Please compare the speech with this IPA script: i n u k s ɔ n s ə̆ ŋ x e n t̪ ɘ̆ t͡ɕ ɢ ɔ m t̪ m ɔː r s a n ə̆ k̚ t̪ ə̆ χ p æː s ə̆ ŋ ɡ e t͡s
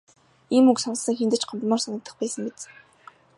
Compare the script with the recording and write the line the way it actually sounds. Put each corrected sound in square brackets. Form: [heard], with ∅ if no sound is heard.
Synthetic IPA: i [m] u k s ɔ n s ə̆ ŋ x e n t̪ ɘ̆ t͡ɕ ɢ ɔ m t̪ m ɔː r s a n ə̆ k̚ t̪ ə̆ χ p æː s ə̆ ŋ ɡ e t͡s